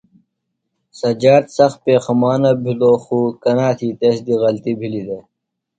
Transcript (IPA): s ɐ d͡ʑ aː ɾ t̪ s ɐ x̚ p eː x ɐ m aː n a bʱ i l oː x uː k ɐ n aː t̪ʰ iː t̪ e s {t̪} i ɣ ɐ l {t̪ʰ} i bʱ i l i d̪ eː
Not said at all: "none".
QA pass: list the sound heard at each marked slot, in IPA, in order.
d̪, t̪

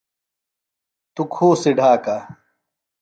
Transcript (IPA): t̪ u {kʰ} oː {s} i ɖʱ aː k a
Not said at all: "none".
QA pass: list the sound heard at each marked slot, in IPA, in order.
kʰ, s

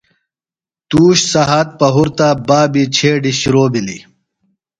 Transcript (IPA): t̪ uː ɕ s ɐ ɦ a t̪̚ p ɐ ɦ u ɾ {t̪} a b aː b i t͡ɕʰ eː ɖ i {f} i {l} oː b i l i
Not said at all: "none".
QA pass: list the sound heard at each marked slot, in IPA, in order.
t̪, ɕ, ɾ

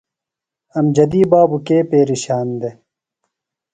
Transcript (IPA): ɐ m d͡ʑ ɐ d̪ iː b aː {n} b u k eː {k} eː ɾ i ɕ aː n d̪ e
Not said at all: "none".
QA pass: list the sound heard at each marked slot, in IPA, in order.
none, p

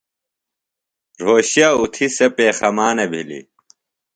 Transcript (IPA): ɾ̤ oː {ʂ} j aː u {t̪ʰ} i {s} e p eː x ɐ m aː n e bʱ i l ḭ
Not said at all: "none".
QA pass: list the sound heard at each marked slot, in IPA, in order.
ɕ, t̪ʰ, s

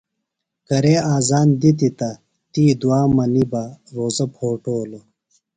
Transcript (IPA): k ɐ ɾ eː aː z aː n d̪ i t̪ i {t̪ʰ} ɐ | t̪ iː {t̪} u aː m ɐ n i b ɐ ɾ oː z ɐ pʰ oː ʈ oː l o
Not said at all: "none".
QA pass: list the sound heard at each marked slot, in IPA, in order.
t̪, d̪

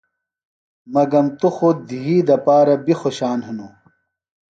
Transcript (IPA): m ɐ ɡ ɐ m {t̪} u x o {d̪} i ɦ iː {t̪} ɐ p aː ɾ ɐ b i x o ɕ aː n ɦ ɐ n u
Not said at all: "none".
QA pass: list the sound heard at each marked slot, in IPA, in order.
t̪, d̪, d̪

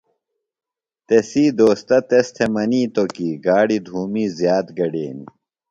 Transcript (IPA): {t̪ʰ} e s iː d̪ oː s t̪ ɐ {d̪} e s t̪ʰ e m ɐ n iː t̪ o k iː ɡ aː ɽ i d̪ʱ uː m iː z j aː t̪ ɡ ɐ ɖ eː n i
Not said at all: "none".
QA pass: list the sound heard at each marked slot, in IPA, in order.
t̪, t̪

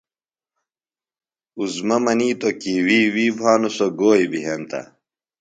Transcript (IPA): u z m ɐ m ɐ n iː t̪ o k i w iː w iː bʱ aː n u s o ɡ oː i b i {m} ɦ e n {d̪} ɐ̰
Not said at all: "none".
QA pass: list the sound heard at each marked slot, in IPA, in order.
none, t̪

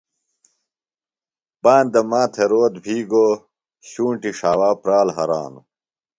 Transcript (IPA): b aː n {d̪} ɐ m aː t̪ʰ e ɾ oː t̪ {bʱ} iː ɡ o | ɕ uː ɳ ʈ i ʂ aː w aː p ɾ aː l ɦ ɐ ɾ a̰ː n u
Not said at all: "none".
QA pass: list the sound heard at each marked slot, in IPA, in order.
d̪, bʱ

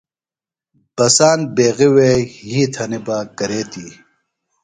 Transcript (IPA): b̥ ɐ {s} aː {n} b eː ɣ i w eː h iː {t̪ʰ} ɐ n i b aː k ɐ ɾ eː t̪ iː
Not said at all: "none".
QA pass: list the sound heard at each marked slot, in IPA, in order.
s, n, t̪ʰ

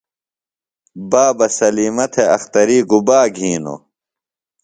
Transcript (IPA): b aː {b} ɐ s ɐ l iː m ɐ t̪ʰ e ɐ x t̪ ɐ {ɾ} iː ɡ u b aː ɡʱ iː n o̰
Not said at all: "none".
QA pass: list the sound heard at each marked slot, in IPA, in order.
b, ɾ

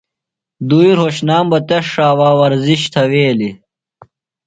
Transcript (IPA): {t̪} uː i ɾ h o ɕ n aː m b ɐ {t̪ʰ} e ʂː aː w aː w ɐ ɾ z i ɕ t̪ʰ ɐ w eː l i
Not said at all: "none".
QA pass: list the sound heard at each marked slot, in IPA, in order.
d̪, t̪

